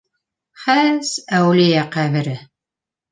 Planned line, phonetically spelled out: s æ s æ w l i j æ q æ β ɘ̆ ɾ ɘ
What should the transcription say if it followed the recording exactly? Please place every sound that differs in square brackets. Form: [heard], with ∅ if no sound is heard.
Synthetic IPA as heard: [χ] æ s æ w l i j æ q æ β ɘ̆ ɾ ɘ